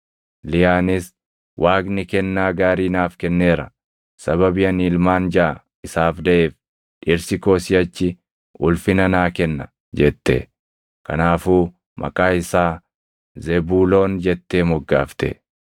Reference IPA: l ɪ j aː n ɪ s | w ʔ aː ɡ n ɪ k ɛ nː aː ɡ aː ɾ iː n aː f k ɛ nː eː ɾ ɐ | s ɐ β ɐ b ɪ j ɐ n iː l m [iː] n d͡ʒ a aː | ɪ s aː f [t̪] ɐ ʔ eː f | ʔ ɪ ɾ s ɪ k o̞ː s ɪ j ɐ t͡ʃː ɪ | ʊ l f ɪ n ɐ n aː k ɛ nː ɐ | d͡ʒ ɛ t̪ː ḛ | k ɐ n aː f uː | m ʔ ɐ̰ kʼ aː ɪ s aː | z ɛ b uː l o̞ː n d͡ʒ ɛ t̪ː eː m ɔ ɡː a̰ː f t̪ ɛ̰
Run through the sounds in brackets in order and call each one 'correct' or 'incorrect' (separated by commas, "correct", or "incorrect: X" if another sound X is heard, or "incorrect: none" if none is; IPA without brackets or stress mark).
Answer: incorrect: aː, incorrect: d̪